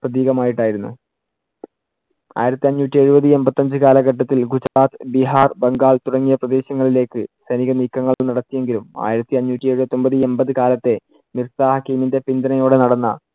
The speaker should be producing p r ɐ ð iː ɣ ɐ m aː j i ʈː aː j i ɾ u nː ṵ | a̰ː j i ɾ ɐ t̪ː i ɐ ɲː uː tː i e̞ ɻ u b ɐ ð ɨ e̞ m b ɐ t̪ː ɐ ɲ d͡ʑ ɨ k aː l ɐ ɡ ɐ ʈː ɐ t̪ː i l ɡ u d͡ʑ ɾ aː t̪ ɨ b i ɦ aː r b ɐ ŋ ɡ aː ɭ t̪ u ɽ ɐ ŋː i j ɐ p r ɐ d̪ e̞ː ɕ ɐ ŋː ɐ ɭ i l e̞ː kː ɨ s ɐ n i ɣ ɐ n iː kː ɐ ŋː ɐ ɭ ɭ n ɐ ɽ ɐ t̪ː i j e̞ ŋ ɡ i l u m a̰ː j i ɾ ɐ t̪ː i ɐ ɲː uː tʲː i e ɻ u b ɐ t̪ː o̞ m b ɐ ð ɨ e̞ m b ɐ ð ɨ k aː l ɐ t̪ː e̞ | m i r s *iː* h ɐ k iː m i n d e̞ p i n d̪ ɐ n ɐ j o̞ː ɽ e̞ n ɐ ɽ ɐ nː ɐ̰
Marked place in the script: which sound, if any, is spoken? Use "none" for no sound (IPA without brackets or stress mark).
aː